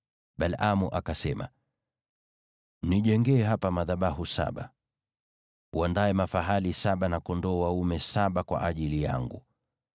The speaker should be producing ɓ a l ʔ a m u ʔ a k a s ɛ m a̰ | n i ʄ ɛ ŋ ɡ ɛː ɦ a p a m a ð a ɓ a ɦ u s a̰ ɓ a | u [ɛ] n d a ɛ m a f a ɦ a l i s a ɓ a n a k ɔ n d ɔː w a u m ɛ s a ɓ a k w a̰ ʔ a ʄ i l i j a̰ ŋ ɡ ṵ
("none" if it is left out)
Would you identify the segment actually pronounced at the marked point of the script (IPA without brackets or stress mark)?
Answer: a